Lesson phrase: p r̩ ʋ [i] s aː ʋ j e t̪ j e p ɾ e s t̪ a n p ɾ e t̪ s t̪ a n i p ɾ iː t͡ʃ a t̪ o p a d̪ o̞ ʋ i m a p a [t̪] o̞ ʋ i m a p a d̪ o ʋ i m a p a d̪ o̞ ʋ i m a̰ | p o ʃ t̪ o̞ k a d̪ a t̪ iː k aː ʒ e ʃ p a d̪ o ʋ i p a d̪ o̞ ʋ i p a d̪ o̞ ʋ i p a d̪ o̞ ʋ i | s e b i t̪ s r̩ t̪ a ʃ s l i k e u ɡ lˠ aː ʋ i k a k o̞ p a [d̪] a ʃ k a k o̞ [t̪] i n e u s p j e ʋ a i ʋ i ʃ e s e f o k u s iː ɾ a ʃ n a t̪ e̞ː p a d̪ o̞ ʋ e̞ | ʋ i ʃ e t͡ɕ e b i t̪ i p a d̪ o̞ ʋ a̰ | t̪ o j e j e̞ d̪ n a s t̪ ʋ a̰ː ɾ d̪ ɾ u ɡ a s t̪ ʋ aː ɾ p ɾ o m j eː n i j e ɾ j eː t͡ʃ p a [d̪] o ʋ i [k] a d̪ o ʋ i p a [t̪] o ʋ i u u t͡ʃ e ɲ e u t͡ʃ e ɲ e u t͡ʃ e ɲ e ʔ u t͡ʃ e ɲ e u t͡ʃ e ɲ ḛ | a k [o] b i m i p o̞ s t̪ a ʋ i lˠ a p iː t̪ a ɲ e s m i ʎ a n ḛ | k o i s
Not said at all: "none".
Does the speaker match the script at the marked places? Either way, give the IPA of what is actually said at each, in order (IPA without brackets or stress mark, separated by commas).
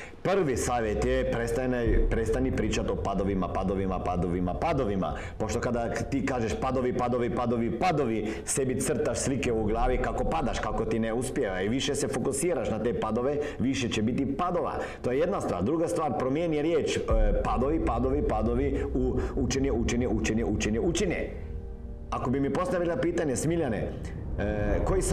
i, d̪, d̪, t̪, d̪, p, d̪, o